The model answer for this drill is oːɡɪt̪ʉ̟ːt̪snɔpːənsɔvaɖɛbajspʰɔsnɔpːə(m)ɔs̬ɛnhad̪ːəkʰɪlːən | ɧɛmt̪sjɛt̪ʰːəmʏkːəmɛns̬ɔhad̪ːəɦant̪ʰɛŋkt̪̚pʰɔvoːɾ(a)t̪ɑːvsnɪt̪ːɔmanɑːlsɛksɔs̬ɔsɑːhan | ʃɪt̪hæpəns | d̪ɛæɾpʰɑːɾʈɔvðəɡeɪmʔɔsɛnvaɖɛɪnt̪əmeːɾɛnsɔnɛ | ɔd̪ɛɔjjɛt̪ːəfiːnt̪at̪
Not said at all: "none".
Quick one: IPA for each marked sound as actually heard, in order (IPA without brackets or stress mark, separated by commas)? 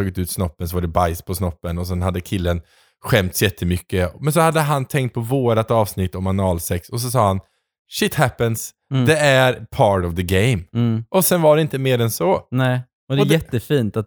n, a